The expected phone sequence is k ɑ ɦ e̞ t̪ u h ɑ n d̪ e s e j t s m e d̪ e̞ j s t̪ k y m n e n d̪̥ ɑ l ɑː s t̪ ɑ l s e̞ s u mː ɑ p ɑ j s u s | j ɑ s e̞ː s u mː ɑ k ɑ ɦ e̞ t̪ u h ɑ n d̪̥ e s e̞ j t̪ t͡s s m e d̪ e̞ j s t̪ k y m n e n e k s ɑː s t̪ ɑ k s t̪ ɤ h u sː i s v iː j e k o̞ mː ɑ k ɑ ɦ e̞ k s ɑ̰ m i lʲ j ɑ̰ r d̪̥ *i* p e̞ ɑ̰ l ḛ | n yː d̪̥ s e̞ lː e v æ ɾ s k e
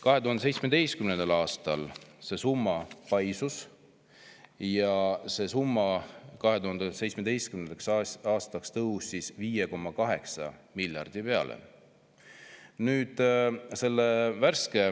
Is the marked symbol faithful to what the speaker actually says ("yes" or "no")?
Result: yes